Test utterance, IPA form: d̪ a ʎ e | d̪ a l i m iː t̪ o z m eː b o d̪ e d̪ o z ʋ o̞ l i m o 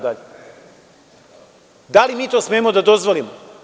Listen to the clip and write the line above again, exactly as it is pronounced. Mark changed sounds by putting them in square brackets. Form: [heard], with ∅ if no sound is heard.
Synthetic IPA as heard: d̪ a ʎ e | d̪ a l i m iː t̪ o [s] m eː [m] o d̪ [a] d̪ o z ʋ o̞ l i m o

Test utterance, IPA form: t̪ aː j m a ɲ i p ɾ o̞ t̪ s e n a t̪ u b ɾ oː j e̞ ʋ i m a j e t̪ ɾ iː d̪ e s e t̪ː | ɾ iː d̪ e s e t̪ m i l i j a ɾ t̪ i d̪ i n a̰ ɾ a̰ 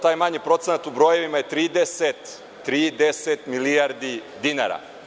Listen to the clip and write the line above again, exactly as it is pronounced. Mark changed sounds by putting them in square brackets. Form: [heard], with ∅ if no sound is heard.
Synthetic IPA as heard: t̪ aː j m a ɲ i p ɾ o̞ t̪ s e n a t̪ u b ɾ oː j e̞ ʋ i m a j e t̪ ɾ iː d̪ e s e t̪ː | ɾ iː d̪ e s e t̪ m i l i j a ɾ [d̪] i d̪ i n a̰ ɾ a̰

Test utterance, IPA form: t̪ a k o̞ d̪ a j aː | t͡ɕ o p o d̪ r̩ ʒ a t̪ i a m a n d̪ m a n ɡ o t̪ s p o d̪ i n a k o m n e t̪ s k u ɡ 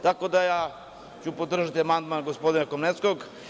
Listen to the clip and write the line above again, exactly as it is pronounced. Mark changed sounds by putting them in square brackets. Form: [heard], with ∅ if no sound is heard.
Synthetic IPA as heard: t̪ a k o̞ d̪ a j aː | t͡ɕ [u] p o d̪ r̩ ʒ a t̪ i a m a n d̪ m a n ɡ o [∅] s p o d̪ i n a k o m n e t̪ s k [o] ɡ

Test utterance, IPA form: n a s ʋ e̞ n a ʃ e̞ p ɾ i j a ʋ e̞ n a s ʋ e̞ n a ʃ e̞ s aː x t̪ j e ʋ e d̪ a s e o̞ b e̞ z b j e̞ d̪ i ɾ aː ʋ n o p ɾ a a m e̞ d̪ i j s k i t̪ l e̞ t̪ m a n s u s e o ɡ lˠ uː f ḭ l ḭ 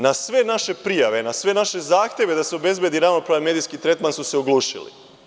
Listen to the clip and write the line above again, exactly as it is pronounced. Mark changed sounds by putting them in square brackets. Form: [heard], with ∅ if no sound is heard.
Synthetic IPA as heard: n a s ʋ e̞ n a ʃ e̞ p ɾ i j a ʋ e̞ n a s ʋ e̞ n a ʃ e̞ [z] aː x t̪ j e ʋ e d̪ a s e o̞ b e̞ z b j e̞ d̪ i ɾ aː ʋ n o p ɾ a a m e̞ d̪ i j s k i t̪ [ɾ] e̞ t̪ m a n s u s e o ɡ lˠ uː [ʃ] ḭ l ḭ

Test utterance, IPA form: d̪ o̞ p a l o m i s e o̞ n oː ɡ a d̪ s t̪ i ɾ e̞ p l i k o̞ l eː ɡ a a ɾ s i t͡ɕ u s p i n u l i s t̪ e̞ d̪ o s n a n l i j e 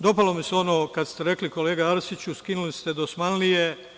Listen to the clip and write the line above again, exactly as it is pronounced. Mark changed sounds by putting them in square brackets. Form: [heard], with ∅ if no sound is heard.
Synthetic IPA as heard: d̪ o̞ p a l o m i s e o̞ n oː [k] a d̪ s t̪ [e] ɾ e̞ [k] l i k o̞ l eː ɡ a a ɾ s i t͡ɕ u s [k] i n u l i s t̪ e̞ d̪ o s [m] a n l i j e

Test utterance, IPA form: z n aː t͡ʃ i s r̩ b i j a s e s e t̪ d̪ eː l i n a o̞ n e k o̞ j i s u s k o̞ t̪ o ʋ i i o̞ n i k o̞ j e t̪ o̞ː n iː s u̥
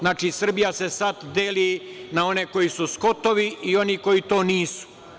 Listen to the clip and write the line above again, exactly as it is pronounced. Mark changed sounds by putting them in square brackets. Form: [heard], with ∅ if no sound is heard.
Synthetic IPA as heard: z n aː t͡ʃ i s r̩ b i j a s e s [a] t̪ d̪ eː l i n a o̞ n e k o̞ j i s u s k o̞ t̪ o ʋ i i o̞ n i k o̞ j [i] t̪ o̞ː n iː s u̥

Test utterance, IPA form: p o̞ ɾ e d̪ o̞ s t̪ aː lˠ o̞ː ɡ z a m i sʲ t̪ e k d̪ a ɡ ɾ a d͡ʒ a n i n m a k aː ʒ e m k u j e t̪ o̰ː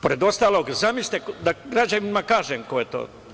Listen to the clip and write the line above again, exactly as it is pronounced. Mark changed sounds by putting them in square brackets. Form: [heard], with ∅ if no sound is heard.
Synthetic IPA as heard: p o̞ ɾ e d̪ o̞ s t̪ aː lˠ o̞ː ɡ z a m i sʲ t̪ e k d̪ a ɡ ɾ a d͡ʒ a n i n m a k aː ʒ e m k [o] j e t̪ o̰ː

